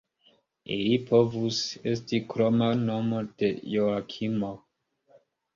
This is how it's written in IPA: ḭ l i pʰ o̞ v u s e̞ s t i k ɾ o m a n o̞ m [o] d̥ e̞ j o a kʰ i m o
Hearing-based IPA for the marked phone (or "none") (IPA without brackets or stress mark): o